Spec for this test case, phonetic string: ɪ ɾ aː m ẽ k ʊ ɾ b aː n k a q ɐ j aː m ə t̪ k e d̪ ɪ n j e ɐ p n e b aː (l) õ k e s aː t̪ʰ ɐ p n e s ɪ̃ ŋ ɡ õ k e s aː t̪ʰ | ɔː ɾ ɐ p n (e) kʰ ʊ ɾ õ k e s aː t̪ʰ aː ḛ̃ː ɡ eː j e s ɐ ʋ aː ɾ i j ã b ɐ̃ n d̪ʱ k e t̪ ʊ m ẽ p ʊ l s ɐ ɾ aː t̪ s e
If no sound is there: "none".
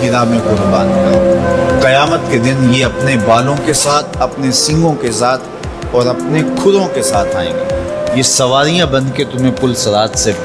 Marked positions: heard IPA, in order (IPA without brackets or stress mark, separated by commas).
l, e